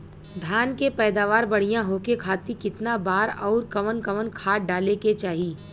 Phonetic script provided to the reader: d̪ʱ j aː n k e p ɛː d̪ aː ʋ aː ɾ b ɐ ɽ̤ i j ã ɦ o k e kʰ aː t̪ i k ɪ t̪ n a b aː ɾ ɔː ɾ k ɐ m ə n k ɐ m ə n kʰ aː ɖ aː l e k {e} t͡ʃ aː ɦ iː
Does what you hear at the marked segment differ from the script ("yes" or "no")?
no